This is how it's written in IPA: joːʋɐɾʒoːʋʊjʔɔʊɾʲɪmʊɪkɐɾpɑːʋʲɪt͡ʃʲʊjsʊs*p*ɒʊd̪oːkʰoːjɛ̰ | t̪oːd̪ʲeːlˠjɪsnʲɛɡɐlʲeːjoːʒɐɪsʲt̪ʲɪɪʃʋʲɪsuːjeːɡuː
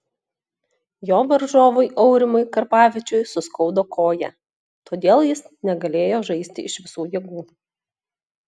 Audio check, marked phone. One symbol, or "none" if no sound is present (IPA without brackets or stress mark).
k